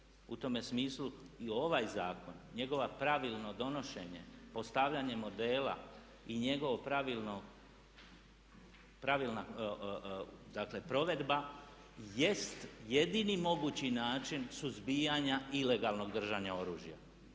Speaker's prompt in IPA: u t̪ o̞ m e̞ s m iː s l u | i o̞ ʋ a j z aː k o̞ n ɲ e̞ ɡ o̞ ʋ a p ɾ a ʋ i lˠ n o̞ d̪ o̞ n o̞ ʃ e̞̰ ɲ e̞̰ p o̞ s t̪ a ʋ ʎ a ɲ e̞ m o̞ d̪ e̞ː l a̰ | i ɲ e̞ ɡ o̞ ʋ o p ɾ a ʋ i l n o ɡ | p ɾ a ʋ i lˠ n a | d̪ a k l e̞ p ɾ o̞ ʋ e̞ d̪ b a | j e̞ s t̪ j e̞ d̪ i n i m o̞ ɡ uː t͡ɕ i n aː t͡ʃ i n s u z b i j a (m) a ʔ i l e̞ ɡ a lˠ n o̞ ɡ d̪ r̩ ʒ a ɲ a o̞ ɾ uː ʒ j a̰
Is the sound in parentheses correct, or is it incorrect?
incorrect